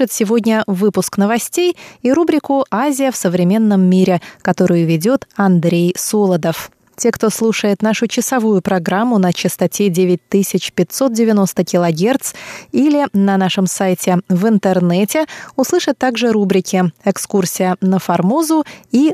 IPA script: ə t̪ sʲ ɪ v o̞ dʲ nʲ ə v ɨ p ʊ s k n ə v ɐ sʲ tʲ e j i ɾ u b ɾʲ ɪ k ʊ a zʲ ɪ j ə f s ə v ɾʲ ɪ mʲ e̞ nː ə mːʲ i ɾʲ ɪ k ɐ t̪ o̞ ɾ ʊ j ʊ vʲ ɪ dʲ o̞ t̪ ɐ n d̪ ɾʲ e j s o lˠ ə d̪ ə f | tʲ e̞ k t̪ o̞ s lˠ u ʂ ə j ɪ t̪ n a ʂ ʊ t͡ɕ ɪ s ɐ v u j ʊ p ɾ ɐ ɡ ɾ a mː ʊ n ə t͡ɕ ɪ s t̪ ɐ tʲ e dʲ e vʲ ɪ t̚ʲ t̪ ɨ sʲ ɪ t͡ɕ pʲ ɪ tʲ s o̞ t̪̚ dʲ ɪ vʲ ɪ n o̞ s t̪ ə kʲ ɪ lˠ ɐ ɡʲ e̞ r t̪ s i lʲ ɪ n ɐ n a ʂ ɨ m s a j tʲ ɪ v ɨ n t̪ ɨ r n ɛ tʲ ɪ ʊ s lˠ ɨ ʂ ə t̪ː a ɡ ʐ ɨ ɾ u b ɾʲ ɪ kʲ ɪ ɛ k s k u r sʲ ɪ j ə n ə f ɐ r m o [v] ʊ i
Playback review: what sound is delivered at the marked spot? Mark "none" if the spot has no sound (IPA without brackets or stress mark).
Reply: z